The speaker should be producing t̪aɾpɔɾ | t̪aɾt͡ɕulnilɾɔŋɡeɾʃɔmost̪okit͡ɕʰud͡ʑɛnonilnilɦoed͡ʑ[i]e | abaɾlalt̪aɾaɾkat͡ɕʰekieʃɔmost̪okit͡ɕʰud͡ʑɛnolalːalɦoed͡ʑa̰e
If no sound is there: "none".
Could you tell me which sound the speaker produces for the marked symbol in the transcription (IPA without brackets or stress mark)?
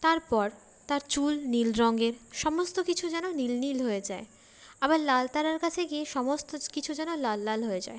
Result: a